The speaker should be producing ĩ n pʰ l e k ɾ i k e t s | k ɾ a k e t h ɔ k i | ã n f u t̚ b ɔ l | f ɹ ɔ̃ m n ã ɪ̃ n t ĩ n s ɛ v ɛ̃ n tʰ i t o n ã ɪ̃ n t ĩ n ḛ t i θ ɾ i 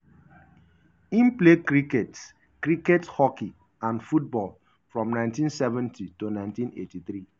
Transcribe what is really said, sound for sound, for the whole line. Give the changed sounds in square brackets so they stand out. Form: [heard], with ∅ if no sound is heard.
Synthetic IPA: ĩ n [p] l e k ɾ i k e t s | k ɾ [i] k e t h ɔ k i | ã n f u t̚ b ɔ l | f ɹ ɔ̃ m n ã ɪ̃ n t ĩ n s ɛ v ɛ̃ n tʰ i t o n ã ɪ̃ n t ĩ n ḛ t i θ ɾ i